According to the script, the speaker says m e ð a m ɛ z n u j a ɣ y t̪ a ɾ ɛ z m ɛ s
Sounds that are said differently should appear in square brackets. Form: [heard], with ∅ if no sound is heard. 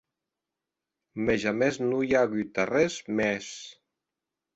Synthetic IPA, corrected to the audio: m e [ʒ] a m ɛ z n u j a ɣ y t̪ a [r] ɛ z m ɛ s